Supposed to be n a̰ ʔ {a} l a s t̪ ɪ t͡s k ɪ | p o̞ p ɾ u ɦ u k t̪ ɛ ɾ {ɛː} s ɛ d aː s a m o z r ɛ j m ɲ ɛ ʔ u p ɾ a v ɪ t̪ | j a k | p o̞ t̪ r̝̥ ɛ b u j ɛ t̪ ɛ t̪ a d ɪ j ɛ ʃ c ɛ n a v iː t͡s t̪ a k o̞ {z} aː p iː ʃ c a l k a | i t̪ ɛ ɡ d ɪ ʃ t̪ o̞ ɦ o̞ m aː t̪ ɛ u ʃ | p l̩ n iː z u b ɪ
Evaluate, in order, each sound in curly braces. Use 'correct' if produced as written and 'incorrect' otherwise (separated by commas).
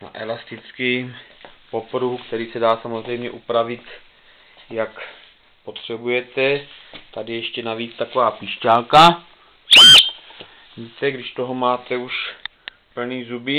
incorrect, incorrect, incorrect